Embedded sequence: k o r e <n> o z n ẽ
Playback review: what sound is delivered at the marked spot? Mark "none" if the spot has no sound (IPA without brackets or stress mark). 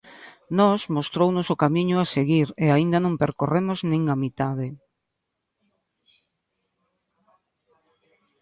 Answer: m